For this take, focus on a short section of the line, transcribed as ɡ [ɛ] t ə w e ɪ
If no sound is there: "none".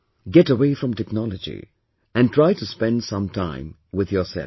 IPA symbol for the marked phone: ɛ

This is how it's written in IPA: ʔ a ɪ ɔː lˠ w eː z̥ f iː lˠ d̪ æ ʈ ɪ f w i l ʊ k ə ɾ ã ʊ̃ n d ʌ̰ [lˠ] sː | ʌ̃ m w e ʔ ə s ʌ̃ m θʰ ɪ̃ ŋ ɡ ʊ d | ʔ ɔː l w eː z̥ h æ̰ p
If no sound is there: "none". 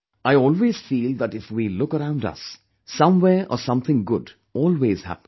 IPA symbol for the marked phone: none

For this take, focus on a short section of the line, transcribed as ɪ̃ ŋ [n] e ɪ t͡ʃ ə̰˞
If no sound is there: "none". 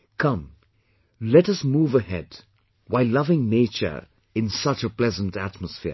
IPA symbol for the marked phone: n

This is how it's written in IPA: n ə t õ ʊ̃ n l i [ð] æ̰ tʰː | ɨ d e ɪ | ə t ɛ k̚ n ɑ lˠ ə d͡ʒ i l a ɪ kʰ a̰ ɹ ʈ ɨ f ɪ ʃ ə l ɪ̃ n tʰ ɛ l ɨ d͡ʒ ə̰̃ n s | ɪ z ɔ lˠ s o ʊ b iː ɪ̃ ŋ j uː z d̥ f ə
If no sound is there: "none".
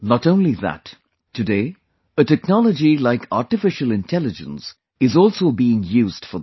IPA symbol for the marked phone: ð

